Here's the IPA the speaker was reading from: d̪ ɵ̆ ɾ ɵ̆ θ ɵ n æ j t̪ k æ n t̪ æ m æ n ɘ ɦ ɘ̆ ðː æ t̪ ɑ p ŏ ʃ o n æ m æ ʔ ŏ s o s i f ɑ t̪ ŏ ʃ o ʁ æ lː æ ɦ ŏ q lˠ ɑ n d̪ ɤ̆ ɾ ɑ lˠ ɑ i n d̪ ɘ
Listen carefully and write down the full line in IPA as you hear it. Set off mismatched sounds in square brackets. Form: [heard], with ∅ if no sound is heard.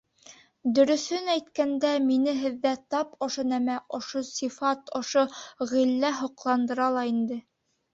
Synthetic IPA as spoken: d̪ ɵ̆ ɾ ɵ̆ θ ɵ n æ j t̪ k æ n [d̪] æ m [i] n ɘ ɦ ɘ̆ ðː æ t̪ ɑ p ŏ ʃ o n æ m æ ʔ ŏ [ʃ] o s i f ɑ t̪ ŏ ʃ o ʁ [i] lː æ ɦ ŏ q lˠ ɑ n d̪ ɤ̆ ɾ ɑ lˠ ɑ i n d̪ ɘ